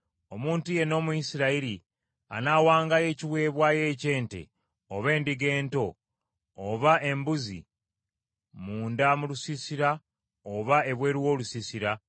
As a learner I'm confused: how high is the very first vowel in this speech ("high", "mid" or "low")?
mid